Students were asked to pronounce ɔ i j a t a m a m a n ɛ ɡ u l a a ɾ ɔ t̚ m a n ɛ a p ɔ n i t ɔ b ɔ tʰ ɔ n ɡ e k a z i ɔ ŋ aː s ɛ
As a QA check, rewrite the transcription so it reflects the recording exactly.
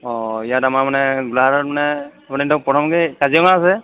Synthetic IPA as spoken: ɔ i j a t a m a m a n ɛ ɡ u l a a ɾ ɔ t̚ m a n ɛ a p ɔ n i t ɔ p ɔ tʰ ɔ m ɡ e k a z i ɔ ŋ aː s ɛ